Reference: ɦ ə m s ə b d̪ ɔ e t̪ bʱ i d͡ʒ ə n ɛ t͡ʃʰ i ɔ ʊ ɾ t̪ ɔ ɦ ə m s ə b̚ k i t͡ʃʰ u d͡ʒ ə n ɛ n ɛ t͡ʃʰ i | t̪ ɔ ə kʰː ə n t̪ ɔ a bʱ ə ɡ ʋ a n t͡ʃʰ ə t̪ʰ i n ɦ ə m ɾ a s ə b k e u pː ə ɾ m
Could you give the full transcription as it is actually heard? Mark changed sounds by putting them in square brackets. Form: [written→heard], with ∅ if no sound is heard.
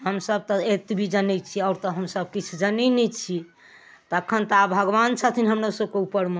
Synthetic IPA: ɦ ə m s ə b [d̪→t̪] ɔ e t̪ bʱ i d͡ʒ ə n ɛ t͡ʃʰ i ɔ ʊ ɾ t̪ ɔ ɦ ə m s ə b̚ k i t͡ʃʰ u d͡ʒ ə n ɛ n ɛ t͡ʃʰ i | t̪ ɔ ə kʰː ə n t̪ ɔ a bʱ ə ɡ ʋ a n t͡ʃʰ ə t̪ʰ i n ɦ ə m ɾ a s ə b k e u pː ə ɾ m